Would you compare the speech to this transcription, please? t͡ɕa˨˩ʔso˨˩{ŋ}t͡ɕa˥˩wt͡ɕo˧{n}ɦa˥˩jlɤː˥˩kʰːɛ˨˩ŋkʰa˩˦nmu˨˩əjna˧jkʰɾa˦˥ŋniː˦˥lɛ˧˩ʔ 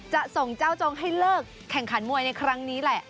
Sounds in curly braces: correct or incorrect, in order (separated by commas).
correct, incorrect